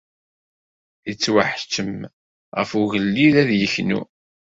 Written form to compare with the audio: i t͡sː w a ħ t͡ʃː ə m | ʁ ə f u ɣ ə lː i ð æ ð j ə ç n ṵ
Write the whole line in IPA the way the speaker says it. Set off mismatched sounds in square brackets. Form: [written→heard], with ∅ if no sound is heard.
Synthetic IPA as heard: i t͡sː w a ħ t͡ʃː ə m | ʁ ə f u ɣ ə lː i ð æ ð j ə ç n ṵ